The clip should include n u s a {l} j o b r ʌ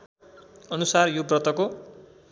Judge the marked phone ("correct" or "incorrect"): incorrect